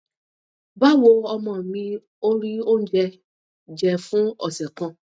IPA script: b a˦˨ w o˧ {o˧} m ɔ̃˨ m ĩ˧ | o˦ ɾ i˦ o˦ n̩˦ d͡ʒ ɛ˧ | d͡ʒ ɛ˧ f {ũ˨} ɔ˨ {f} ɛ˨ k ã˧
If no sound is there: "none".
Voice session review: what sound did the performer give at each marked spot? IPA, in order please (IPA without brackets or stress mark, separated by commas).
ɔ˧, ũ˦, s